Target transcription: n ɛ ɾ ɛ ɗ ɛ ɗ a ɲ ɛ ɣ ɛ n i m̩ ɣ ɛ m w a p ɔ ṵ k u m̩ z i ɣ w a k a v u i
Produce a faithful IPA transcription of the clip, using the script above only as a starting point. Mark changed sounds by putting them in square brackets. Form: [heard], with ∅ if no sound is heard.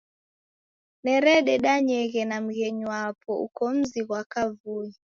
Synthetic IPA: n ɛ ɾ ɛ ɗ ɛ ɗ a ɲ ɛ ɣ ɛ n [a] m̩ ɣ ɛ [ɲ] w a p ɔ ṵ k [ɔ] m̩ z i ɣ w a k a v u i